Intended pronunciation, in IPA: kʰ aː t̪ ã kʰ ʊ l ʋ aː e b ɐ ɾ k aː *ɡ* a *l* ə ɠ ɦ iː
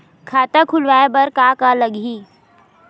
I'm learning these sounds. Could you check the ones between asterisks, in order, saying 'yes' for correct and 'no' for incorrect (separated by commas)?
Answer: no, yes